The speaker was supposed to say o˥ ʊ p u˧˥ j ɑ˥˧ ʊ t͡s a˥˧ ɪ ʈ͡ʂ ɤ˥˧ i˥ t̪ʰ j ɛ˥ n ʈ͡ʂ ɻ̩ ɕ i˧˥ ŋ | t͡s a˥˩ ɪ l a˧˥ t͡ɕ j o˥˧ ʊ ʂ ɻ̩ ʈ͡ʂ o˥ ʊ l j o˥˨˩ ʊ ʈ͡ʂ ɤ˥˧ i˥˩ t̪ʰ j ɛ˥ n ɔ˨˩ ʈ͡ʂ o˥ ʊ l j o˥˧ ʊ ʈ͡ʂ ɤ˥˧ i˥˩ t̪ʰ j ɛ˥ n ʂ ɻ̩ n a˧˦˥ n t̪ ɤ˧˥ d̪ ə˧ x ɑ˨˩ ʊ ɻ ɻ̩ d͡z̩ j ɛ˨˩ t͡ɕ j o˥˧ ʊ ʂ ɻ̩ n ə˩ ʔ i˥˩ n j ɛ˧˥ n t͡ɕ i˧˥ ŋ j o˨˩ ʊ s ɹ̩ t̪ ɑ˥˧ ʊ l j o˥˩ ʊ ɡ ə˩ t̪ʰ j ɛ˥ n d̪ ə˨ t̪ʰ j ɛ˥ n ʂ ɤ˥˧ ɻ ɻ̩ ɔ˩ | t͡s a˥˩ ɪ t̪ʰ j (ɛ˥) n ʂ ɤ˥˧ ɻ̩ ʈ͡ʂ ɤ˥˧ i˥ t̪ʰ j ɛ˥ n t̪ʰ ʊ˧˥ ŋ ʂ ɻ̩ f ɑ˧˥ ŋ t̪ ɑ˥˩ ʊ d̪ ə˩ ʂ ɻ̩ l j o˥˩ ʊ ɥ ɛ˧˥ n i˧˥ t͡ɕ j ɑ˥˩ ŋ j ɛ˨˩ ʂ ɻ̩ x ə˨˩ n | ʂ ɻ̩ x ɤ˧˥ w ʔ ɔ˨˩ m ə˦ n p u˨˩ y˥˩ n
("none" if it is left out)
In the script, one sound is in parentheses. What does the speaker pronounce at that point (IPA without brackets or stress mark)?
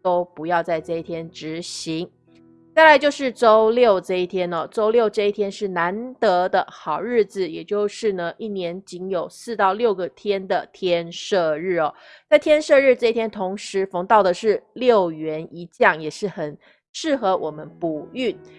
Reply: ɛ˥